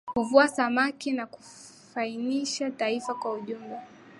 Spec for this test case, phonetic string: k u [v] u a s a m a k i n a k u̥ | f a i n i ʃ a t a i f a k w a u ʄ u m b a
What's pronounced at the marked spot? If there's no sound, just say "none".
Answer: v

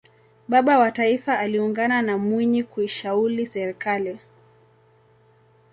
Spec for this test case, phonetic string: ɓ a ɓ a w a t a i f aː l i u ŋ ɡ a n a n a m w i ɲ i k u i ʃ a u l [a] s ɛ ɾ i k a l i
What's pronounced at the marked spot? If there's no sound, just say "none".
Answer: i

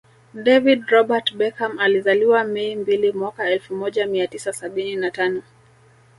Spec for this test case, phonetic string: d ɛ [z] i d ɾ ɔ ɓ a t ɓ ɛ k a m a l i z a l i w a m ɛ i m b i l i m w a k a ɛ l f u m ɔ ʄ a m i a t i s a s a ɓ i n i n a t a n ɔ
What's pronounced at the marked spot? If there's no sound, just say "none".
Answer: v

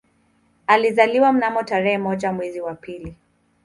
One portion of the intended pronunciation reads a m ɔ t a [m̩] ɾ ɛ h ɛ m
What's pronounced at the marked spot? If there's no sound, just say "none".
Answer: none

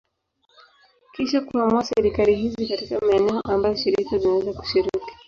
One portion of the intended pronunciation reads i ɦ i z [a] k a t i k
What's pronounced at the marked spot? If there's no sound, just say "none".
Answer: i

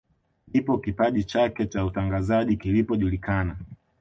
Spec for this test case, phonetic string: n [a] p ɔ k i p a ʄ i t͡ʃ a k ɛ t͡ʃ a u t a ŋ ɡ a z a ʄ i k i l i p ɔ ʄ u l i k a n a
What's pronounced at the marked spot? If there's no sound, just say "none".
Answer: i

